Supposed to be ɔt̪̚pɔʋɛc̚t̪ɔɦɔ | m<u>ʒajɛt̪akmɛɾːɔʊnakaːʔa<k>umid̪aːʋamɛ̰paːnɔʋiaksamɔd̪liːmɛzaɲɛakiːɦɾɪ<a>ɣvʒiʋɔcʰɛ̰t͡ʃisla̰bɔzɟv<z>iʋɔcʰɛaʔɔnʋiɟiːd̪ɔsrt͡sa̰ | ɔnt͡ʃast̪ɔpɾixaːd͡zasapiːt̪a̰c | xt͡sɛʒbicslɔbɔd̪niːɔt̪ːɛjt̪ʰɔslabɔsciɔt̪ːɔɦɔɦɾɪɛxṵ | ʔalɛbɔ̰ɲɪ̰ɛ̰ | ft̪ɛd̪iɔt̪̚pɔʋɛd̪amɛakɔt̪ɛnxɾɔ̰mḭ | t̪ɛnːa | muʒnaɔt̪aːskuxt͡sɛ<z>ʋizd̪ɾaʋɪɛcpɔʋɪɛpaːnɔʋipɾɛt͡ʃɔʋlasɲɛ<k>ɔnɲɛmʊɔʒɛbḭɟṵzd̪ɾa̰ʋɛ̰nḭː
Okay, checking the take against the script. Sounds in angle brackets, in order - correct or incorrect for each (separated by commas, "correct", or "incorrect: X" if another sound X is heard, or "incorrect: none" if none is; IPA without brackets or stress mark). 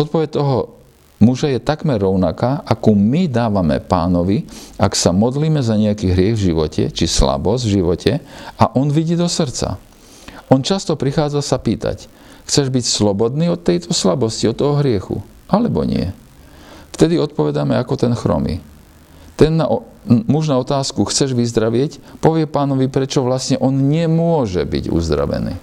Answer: correct, correct, incorrect: ɛ, incorrect: ʒ, incorrect: ʒ, incorrect: ʔ